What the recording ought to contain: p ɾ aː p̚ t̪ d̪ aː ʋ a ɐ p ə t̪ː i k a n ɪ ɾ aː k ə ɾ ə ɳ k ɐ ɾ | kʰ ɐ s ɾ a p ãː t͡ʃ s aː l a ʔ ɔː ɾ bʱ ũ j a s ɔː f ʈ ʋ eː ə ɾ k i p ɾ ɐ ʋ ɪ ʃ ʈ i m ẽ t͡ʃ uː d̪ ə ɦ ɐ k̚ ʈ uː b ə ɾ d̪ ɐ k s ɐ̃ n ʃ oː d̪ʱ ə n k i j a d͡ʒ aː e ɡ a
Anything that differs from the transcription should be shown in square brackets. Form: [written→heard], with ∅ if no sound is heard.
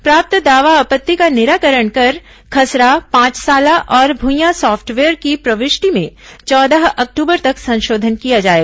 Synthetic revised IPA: p ɾ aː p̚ t̪ d̪ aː ʋ a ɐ p ə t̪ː i k a n ɪ ɾ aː k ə ɾ ə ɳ k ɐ ɾ | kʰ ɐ s ɾ a p ãː t͡ʃ s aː l a ʔ ɔː ɾ bʱ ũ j a s ɔː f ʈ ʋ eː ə ɾ k i p ɾ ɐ ʋ ɪ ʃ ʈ i m ẽ t͡ʃ [uː→ɔː] d̪ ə ɦ ɐ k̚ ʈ uː b ə ɾ [d̪→t̪] ɐ k s ɐ̃ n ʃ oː d̪ʱ ə n k i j a d͡ʒ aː e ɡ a